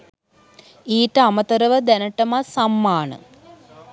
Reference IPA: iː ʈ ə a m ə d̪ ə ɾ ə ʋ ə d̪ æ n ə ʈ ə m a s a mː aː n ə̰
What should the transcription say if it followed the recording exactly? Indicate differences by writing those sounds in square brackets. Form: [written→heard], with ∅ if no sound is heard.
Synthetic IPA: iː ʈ ə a m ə [d̪→t̪] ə ɾ ə ʋ ə d̪ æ n ə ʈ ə m a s a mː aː n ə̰